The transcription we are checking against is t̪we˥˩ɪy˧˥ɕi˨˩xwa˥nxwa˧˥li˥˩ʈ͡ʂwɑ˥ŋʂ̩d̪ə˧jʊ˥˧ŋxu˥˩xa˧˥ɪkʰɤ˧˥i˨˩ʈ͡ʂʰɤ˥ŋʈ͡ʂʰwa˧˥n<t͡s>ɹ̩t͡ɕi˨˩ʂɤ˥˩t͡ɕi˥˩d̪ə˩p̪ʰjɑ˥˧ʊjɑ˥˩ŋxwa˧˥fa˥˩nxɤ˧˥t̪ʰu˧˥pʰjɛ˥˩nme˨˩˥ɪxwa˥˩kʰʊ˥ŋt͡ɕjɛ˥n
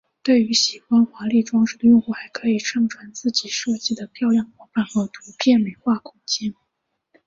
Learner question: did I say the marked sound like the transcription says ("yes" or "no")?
yes